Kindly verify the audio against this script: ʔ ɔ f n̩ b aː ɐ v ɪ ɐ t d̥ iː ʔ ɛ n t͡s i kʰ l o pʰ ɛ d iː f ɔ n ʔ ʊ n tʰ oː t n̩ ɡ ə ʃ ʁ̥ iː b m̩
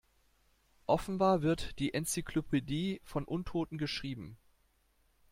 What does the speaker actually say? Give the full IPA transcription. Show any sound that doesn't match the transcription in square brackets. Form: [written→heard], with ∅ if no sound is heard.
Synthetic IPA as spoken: ʔ ɔ f n̩ b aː ɐ v ɪ ɐ t d̥ iː ʔ ɛ n t͡s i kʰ l o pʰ [ɛ→e] d iː f ɔ n ʔ ʊ n tʰ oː t n̩ ɡ ə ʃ ʁ̥ iː b m̩

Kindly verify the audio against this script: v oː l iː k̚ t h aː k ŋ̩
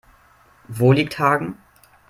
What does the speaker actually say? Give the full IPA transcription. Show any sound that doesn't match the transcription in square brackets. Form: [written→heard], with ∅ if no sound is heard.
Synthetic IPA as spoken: v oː l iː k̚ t h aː [k→ɡ] ŋ̩

